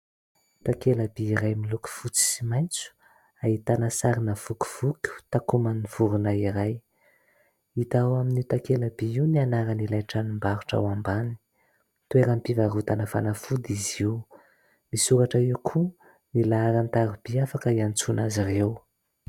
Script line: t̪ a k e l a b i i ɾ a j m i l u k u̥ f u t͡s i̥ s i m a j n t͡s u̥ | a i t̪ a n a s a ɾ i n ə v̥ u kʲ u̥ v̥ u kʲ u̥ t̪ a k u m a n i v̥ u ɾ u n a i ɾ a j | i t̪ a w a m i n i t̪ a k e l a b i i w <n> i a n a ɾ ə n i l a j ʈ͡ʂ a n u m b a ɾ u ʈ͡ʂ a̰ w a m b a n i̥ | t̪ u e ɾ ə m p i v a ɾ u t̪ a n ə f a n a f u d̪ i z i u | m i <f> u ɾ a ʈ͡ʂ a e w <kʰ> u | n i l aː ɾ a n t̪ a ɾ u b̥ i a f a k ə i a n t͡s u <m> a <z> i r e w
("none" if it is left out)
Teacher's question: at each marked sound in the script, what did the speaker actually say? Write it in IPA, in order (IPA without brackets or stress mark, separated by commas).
n, s, kʰ, n, z